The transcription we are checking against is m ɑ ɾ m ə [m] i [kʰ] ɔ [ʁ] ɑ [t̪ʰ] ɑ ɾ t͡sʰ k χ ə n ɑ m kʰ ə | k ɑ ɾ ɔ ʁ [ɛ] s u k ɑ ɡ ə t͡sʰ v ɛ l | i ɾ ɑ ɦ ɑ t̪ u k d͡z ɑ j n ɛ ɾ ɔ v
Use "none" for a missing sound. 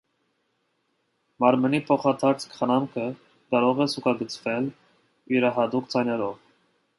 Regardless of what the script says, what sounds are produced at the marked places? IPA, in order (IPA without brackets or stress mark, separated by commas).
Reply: n, pʰ, χ, t̪ʰ, ɛ